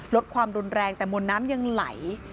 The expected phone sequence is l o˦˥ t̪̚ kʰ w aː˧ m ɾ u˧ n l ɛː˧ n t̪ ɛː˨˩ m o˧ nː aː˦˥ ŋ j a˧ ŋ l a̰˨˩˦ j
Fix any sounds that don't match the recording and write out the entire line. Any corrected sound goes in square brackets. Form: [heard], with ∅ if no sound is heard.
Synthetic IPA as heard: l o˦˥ t̪̚ kʰ w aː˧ m ɾ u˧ n [ɾ] ɛː˧ [ŋ] t̪ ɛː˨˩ m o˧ nː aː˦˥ [m] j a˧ ŋ l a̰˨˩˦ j